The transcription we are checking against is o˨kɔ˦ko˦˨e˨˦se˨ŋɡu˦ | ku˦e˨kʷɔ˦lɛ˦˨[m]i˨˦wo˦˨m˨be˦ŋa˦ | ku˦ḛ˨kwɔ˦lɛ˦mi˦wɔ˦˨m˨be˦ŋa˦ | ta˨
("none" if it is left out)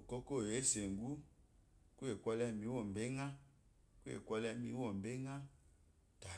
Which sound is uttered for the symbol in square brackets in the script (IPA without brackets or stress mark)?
m